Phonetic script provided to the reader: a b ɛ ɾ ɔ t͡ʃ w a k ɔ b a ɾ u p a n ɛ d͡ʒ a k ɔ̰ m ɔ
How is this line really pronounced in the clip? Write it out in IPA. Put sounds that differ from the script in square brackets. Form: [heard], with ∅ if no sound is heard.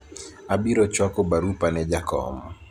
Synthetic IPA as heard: a b [i] ɾ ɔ t͡ʃ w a k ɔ b a ɾ u p a n ɛ d͡ʒ a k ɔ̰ m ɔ